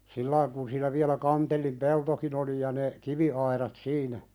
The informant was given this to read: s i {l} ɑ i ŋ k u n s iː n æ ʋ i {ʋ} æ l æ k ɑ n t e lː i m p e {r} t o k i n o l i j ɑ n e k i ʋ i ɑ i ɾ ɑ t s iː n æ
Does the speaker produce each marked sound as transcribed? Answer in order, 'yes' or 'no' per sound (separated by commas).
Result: no, no, no